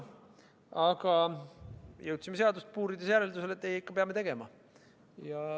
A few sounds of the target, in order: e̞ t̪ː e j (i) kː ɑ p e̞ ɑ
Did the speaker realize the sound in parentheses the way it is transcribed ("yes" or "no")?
yes